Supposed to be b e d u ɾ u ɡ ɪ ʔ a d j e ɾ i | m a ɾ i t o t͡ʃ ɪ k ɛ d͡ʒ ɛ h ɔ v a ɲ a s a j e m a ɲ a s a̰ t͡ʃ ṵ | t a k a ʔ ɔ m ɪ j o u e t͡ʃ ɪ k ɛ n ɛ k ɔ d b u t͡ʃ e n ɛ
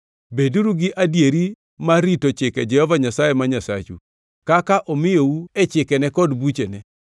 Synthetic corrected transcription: b e d u ɾ u ɡ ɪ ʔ a d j e ɾ i | m a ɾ i t o t͡ʃ ɪ k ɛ d͡ʒ ɛ h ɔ v a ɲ a s a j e m a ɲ a s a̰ t͡ʃ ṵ | k a k a ʔ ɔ m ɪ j o u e t͡ʃ ɪ k ɛ n ɛ k ɔ d b u t͡ʃ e n ɛ

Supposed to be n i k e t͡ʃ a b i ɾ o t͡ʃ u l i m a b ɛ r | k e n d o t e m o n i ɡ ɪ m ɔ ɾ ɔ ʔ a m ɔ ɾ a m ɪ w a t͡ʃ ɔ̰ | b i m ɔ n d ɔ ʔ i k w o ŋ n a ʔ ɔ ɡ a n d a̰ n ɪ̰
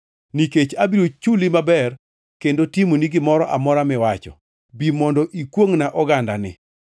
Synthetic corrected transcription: n i k e t͡ʃ a b i ɾ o t͡ʃ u l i m a b ɛ r | k e n d o t i m o n i ɡ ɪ m ɔ ɾ ɔ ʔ a m ɔ ɾ a m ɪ w a t͡ʃ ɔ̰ | b i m ɔ n d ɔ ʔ i k w o ŋ n a ʔ ɔ ɡ a n d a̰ n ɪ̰

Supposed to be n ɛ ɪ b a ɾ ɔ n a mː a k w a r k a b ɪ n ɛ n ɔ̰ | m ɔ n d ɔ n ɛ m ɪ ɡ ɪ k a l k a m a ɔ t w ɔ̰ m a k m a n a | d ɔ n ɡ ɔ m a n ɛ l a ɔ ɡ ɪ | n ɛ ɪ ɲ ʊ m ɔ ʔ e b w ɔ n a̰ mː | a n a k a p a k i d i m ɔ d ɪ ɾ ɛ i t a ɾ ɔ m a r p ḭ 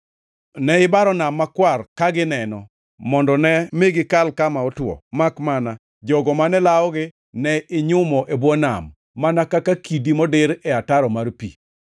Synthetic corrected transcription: n ɛ ɪ b a ɾ ɔ n a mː a k w a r k a ɡ ɪ n ɛ n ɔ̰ | m ɔ n d ɔ n ɛ m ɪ ɡ ɪ k a l k a m a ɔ t w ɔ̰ m a k m a n a | d͡ʒ ɔ ɡ ɔ m a n ɛ l a ɔ ɡ ɪ | n ɛ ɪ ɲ ʊ m ɔ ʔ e b w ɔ n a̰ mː | a n a k a k a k i d i m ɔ d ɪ ɾ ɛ a t a ɾ ɔ m a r p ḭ

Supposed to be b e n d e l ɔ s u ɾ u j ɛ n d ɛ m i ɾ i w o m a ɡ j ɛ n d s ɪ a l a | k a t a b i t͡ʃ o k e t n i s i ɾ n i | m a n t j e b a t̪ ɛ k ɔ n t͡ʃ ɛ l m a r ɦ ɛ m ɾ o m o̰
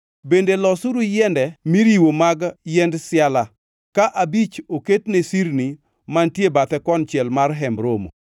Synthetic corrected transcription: b e n d e l ɔ s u ɾ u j ɛ n d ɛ m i ɾ i w o m a ɡ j ɛ n d s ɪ a l a | k a ʔ a b i t͡ʃ o k e t n e s i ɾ n i | m a n t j e b a t̪ ɛ k ɔ n t͡ʃ ɛ l m a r ɦ ɛ m ɾ o m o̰

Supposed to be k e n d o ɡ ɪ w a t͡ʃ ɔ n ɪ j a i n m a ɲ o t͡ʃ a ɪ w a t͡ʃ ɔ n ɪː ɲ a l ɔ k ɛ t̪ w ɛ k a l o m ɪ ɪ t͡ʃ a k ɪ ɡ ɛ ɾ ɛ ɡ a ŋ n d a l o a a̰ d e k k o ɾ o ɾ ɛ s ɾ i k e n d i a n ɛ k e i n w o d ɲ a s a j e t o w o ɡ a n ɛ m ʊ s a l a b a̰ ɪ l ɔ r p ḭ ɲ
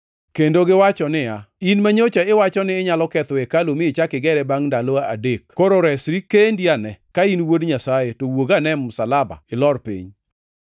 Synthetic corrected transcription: k e n d o ɡ ɪ w a t͡ʃ ɔ n ɪ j a i n m a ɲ o t͡ʃ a ɪ w a t͡ʃ ɔ n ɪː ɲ a l ɔ k ɛ t̪ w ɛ k a l o m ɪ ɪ t͡ʃ a k ɪ ɡ ɛ ɾ ɛ b a ŋ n d a l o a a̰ d e k k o ɾ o ɾ ɛ s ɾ i k e n d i a n ɛ k a i n w o d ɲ a s a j e t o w o ɡ a n ɛ m ʊ s a l a b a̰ ɪ l ɔ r p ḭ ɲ

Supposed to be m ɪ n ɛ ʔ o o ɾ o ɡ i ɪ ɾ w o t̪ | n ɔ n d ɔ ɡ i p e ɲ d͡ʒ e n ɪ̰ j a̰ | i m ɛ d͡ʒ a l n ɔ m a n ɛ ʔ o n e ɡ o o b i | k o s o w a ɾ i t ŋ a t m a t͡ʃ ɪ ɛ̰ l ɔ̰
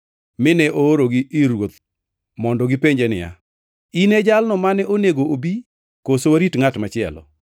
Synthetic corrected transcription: m ɪ n ɛ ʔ o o ɾ o ɡ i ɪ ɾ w o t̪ | m ɔ n d ɔ ɡ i p e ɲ d͡ʒ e n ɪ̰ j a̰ | i n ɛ d͡ʒ a l n ɔ m a n ɛ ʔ o n e ɡ o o b i | k o s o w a ɾ i t ŋ a t m a t͡ʃ ɪ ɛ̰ l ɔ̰

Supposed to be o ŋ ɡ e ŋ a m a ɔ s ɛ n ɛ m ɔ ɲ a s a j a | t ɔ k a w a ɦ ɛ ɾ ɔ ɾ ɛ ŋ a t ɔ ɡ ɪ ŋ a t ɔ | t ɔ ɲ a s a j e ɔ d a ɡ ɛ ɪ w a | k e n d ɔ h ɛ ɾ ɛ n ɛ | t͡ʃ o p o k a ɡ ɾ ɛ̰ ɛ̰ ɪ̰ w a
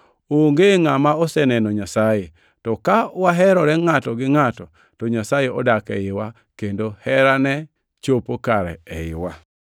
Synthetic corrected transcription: o ŋ ɡ e ŋ a m a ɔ s ɛ n ɛ n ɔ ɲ a s a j e | t ɔ k a w a ɦ ɛ ɾ ɔ ɾ ɛ ŋ a t ɔ ɡ ɪ ŋ a t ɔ | t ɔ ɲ a s a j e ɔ d a k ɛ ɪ w a | k e n d o h ɛ ɾ a n ɛ | t͡ʃ o p o k a ɾ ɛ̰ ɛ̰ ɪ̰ w a

